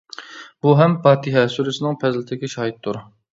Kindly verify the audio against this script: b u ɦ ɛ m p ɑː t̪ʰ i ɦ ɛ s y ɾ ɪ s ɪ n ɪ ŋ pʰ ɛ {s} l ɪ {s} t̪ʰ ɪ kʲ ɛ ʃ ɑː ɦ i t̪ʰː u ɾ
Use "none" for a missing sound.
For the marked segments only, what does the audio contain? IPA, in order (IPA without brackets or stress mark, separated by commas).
z, none